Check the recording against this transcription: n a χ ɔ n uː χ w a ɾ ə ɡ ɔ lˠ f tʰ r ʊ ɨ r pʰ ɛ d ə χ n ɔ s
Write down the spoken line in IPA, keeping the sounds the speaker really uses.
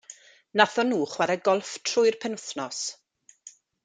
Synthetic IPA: n a θ ɔ n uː χ w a ɾ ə ɡ ɔ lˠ f tʰ r ʊ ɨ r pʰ ɛ n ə θ n ɔ s